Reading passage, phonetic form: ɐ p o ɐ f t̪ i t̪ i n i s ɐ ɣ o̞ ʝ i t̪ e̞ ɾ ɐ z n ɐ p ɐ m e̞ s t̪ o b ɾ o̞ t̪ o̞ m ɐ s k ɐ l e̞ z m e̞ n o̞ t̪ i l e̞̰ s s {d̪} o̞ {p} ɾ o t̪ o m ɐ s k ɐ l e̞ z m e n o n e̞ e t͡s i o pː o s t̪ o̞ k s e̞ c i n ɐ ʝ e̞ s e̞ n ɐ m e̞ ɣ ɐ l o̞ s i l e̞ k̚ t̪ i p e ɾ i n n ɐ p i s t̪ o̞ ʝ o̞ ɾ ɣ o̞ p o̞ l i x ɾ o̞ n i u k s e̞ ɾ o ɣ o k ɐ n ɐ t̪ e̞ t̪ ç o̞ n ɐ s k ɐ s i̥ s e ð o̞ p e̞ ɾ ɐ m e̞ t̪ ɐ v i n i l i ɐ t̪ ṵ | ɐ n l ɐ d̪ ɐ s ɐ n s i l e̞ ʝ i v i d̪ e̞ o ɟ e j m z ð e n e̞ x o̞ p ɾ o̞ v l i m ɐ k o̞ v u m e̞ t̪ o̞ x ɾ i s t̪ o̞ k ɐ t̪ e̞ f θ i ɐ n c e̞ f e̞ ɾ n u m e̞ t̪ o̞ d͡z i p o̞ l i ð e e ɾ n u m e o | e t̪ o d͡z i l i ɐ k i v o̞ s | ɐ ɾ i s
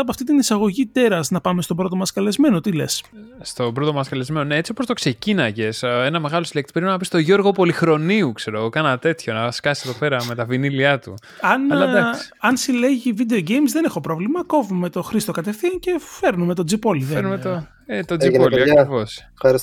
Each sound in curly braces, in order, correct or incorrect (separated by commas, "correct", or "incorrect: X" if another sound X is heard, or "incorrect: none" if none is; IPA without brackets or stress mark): incorrect: t̪, incorrect: b